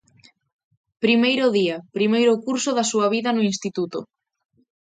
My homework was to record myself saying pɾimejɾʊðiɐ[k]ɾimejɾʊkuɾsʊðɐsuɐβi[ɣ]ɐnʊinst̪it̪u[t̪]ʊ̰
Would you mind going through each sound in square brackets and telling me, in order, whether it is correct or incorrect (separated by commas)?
incorrect, incorrect, correct